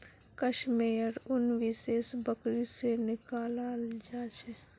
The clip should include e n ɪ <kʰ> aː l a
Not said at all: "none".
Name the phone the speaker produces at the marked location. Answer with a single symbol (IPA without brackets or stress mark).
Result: k